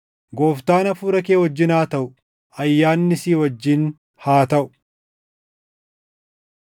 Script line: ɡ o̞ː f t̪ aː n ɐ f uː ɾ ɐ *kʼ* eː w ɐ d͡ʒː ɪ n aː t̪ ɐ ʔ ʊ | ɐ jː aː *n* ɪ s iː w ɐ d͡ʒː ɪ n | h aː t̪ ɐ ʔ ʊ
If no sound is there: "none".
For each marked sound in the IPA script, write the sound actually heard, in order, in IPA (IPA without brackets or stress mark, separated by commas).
k, nː